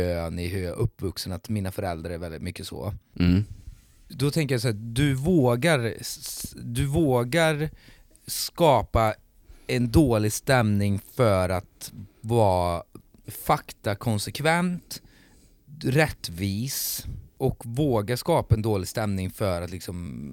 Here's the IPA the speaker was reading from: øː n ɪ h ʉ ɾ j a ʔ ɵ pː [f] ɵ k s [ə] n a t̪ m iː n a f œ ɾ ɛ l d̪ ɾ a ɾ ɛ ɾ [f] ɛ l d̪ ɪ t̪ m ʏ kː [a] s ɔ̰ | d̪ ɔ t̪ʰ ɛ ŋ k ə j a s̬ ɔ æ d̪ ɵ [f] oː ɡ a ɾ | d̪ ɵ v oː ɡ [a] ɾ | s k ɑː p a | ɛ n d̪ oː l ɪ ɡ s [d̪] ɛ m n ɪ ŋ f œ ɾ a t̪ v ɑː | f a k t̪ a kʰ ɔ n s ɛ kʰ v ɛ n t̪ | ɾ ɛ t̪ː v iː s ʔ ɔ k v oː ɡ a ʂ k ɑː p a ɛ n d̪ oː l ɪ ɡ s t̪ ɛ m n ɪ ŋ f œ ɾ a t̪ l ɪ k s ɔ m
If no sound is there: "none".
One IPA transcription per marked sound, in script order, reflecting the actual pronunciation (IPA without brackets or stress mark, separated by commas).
v, ə, v, ə, v, a, t̪